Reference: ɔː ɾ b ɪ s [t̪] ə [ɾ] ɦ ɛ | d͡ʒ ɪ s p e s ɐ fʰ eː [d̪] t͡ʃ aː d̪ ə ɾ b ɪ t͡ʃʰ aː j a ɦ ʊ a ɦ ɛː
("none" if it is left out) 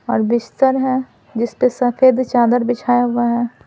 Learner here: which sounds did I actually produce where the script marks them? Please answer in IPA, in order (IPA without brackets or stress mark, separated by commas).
t̪, ɾ, d̪